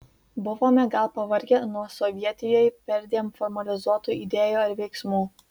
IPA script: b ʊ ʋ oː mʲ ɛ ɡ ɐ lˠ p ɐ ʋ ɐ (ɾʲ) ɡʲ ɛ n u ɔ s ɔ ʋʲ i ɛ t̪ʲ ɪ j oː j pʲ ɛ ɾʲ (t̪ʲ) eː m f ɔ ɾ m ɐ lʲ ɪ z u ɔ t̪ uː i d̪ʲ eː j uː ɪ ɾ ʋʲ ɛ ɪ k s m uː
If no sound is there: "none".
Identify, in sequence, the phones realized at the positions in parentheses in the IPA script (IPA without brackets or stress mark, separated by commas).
ɾʲ, d̪ʲ